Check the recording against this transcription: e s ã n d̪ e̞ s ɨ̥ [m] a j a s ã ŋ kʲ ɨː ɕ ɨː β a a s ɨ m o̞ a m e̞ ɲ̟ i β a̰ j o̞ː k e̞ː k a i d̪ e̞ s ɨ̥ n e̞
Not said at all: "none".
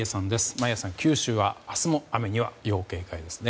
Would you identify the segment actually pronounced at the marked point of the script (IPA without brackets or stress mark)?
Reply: m